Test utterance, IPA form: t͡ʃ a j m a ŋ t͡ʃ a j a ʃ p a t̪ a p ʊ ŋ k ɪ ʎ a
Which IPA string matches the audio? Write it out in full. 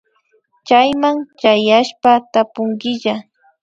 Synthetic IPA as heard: t͡ʃ a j m a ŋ t͡ʃ a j a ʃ p a t̪ a p ʊ ŋ ɡ ɪ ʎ a